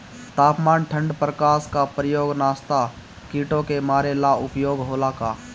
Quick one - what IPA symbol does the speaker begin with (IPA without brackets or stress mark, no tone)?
t̪